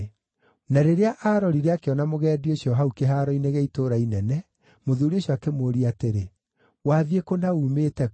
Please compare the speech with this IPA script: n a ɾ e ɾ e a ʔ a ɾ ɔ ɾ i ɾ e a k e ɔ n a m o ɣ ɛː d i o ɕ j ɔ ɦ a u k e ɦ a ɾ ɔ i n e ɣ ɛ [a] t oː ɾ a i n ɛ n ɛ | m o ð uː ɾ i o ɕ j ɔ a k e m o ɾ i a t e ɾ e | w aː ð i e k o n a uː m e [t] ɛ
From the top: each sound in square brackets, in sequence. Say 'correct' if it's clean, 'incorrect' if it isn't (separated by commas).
incorrect, correct